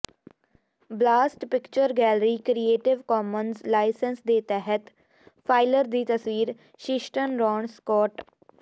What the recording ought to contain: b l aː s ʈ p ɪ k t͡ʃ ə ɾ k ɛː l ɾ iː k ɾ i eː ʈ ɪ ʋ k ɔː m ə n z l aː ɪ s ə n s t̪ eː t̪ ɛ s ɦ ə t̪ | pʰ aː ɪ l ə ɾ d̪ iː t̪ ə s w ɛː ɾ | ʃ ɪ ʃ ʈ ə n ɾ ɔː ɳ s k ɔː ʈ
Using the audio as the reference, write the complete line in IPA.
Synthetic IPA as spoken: b l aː s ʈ p ɪ k t͡ʃ ə ɾ ɡ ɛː l ɾ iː k ɾ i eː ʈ ɪ ʋ k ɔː m ə n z l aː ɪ s ə n s d̪ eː t̪ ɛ ɦ ə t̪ | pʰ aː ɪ l ə ɾ d̪ iː t̪ ə s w iː ɾ | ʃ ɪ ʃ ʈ ə n ɾ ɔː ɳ s k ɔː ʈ

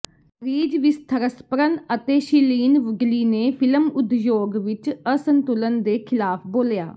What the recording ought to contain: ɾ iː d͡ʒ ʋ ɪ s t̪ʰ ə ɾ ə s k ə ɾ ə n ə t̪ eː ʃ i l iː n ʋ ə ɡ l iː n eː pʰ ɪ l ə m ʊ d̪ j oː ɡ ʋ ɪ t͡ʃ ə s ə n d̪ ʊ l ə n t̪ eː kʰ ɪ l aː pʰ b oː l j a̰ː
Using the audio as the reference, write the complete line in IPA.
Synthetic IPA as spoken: ɾ iː d͡ʒ ʋ ɪ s t̪ʰ ə ɾ ə s p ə ɾ ə n ə t̪ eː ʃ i l iː n ʋ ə ɡ l iː n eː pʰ ɪ l ə m ʊ d̪ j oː ɡ ʋ ɪ t͡ʃ ə s ə n t̪ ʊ l ə n d̪ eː kʰ ɪ l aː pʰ b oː l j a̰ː

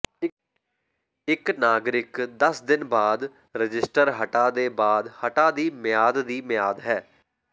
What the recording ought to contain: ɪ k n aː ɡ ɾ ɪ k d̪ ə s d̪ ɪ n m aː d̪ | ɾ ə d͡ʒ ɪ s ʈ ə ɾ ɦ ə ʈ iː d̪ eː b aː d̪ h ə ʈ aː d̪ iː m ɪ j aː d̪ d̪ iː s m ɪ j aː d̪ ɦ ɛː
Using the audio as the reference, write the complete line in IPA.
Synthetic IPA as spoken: ɪ k n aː ɡ ɾ ɪ k d̪ ə s d̪ ɪ n b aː d̪ | ɾ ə d͡ʒ ɪ s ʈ ə ɾ ɦ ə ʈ aː d̪ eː b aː d̪ h ə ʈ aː d̪ iː m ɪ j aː d̪ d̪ iː m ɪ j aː d̪ ɦ ɛː

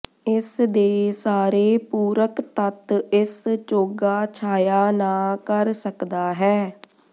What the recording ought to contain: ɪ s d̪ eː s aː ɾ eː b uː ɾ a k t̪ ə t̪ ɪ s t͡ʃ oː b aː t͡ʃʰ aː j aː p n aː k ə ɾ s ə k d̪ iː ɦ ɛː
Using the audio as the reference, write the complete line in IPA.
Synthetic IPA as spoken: ɪ s d̪ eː s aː ɾ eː p uː ɾ ə k t̪ ə t̪ ɪ s t͡ʃ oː ɡ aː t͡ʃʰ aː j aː n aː k ə ɾ s ə k d̪ aː ɦ ɛː

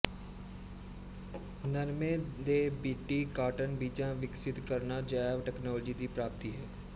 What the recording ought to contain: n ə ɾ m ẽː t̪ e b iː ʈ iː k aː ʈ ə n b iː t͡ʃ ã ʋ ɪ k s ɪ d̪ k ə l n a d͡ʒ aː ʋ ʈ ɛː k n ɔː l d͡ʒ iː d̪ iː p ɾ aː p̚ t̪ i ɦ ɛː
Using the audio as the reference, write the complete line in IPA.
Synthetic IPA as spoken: n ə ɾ m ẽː d̪ e b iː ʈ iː k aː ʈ ə n b iː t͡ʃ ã ʋ ɪ k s ɪ t̪ k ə ɾ n a d͡ʒ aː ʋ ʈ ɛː k n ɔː l d͡ʒ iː d̪ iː p ɾ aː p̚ t̪ i ɦ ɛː

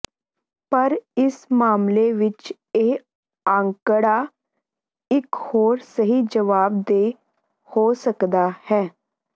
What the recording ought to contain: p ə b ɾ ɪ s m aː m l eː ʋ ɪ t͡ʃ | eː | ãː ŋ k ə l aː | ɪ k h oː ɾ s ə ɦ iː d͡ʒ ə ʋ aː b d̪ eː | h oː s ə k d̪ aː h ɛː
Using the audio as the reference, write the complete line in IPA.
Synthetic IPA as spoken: p ə ɾ ɪ s m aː m l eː ʋ ɪ t͡ʃ | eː | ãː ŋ k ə ɽ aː | ɪ k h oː ɾ s ə ɦ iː d͡ʒ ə ʋ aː b d̪ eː | h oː s ə k d̪ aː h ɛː

